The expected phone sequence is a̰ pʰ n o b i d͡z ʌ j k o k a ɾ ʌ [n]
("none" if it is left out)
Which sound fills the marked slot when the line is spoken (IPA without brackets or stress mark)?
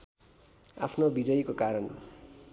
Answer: n